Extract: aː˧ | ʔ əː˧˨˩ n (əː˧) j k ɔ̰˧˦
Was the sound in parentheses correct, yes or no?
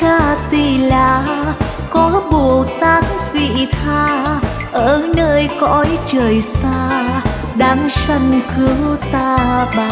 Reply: yes